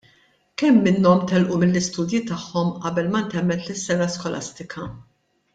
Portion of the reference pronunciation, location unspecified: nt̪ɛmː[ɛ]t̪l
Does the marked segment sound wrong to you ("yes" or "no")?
no